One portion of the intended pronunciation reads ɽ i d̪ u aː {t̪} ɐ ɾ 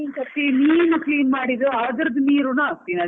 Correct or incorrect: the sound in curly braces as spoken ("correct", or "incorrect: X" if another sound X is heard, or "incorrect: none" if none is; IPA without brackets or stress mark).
incorrect: d̪